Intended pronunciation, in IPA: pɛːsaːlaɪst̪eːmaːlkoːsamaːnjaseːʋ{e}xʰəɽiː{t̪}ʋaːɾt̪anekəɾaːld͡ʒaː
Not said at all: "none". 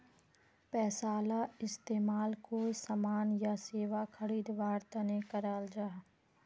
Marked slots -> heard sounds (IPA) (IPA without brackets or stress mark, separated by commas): a, d̪